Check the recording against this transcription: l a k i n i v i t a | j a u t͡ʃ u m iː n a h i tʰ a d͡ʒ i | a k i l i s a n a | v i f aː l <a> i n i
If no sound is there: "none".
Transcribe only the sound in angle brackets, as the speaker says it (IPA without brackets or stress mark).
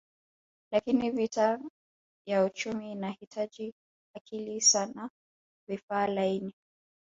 a